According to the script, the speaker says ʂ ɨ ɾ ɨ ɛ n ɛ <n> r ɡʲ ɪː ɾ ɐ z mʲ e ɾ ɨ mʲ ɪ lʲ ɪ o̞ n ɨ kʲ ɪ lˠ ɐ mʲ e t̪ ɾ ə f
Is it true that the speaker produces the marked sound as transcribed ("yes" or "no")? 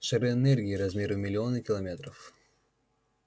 no